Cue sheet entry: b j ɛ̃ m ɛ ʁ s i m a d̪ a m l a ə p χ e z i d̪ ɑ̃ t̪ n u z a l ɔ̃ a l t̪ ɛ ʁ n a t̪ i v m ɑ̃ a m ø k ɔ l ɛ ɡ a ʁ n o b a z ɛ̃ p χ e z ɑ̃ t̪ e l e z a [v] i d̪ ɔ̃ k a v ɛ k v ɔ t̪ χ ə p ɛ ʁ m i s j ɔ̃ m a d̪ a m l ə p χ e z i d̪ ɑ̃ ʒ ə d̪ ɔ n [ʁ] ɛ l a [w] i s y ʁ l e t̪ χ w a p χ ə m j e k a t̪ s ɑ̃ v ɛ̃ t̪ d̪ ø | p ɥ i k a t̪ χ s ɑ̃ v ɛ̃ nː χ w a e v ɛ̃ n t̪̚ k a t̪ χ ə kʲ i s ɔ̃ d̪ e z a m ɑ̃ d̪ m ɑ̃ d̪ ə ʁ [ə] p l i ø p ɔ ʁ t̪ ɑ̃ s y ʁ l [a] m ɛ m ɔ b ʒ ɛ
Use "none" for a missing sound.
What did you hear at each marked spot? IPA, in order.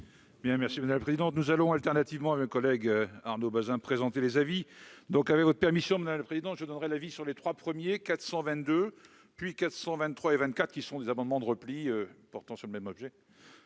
v, ʁ, v, ə, ə

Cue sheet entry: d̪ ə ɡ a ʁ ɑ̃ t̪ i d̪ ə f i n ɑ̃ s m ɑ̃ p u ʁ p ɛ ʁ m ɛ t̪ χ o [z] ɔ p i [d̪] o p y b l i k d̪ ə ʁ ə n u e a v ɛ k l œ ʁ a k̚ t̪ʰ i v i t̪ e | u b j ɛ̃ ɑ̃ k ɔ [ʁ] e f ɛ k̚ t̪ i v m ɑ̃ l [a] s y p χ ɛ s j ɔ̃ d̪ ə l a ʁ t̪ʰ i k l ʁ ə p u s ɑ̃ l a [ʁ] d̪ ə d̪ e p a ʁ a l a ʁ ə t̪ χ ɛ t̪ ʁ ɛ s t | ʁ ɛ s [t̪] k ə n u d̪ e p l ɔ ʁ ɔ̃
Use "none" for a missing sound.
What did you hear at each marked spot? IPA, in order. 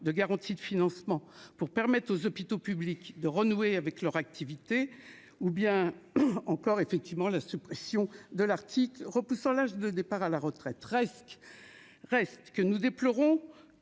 z, t̪, ʁ, a, ʒ, t̪

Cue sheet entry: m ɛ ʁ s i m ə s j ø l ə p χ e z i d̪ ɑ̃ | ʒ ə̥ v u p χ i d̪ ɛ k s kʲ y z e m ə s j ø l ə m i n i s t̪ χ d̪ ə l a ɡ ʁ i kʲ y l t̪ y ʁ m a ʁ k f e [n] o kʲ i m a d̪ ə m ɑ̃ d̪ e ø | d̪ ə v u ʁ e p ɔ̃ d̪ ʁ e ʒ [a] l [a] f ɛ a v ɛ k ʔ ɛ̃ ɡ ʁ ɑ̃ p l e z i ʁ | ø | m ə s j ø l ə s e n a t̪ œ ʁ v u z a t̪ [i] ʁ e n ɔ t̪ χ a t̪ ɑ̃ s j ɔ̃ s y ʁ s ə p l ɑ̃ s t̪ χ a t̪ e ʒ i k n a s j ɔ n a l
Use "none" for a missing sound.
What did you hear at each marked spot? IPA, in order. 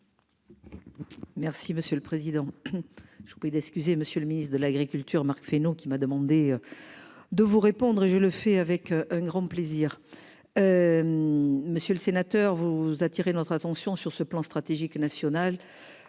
n, ə, ə, i

